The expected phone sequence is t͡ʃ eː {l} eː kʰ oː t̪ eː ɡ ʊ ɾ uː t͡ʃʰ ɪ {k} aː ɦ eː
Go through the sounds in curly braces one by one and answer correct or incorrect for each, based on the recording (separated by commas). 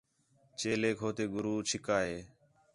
correct, correct